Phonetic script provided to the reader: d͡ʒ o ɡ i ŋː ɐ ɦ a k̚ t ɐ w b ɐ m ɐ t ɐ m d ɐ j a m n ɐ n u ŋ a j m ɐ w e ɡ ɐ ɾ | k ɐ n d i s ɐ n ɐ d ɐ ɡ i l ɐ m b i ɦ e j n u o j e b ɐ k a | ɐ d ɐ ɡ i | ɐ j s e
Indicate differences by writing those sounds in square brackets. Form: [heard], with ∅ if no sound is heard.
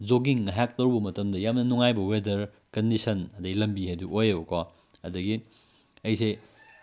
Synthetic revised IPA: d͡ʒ o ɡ i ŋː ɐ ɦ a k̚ t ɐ w b ɐ m ɐ t ɐ m d ɐ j a m n ɐ n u ŋ a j [b] ɐ w e [d] ɐ ɾ | k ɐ n d i s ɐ n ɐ d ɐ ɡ i l ɐ m b i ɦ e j [d] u o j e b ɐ k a | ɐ d ɐ ɡ i | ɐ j s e